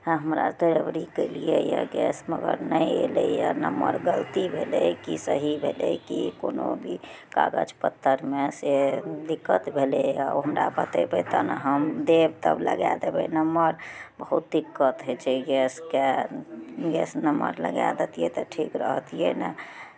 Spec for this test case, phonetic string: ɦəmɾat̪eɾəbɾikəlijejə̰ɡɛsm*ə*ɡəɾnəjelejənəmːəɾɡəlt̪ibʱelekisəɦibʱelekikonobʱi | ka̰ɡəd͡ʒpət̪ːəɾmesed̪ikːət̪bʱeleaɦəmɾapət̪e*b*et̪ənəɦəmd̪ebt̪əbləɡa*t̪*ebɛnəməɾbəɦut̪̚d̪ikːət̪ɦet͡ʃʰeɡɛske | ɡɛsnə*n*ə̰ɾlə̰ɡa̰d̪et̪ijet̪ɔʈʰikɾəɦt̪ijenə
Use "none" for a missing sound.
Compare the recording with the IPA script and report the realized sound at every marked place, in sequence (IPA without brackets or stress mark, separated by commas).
ə, b, d̪, m